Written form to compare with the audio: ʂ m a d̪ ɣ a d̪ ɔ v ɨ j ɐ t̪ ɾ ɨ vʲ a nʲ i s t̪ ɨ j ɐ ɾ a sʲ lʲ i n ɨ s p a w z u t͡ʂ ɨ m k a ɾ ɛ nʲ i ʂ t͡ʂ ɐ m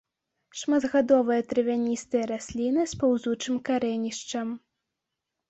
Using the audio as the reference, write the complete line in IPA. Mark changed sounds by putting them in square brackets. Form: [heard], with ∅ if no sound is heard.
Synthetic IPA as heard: ʂ m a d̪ ɣ a d̪ ɔ v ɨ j ɐ t̪ ɾ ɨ vʲ a nʲ i s t̪ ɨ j ɐ ɾ a sʲ lʲ i n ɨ s p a w z u t͡ʂ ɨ m k a ɾ ɛ nʲ i ʂ t͡ʂ ɐ m